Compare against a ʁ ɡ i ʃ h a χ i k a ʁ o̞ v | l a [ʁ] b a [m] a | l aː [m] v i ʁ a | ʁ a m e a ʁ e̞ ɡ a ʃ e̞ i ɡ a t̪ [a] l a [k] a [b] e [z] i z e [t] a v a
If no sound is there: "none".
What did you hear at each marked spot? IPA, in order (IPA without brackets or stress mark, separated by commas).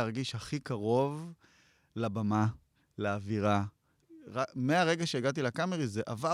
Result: none, m, none, i, k, m, ʁ, ʔ